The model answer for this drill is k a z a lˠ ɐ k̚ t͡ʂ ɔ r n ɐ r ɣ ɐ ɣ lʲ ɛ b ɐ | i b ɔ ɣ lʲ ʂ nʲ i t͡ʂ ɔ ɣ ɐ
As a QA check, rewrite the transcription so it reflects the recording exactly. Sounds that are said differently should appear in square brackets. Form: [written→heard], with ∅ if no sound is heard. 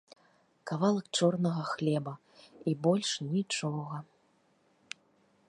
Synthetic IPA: k a [z→v] a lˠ ɐ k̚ t͡ʂ ɔ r n ɐ [r→∅] ɣ ɐ [ɣ→x] lʲ ɛ b ɐ | i b ɔ [ɣ→∅] lʲ ʂ nʲ i t͡ʂ ɔ ɣ ɐ